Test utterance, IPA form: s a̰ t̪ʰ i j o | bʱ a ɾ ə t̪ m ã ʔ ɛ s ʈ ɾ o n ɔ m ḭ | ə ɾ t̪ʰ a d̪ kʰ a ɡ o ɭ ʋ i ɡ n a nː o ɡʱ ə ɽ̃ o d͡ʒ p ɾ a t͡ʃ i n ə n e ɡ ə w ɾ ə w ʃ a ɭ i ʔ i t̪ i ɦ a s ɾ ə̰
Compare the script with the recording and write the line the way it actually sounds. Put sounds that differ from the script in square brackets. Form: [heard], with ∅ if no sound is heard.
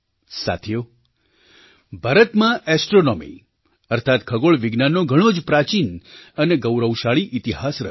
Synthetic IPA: s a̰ t̪ʰ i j o | bʱ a ɾ ə t̪ m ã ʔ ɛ s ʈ ɾ o n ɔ m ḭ | ə ɾ t̪ʰ a [t̪] kʰ [ə] ɡ o ɭ ʋ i ɡ n a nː o ɡʱ ə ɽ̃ o d͡ʒ p ɾ a t͡ʃ i n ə n e ɡ ə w ɾ ə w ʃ a ɭ i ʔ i t̪ i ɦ a s ɾ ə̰